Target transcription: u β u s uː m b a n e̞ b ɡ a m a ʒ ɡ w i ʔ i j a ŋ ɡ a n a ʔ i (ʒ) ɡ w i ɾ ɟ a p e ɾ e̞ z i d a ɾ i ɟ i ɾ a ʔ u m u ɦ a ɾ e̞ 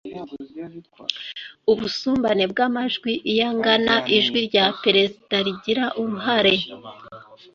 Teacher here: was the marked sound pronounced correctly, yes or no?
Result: yes